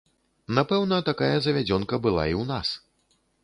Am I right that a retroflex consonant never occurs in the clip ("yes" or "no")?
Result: yes